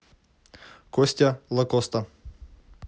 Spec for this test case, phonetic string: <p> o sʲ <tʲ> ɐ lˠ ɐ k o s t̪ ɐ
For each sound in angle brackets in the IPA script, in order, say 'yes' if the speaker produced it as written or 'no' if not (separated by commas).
no, yes